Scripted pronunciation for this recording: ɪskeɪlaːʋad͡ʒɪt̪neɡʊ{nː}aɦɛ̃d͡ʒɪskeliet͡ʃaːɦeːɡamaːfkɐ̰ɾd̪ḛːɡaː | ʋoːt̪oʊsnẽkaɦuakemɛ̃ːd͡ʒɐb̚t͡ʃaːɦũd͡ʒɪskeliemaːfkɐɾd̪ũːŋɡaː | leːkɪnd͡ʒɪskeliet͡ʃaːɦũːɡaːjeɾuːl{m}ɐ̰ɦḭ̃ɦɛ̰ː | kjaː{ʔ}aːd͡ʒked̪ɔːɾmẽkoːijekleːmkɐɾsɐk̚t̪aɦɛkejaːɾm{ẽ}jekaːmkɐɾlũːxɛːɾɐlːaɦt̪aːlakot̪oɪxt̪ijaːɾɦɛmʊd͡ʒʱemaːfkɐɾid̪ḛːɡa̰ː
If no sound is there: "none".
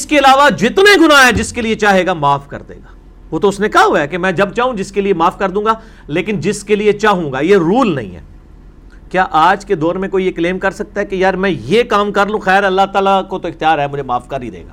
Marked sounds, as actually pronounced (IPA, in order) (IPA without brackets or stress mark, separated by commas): n, n, ʔ, ɛ̃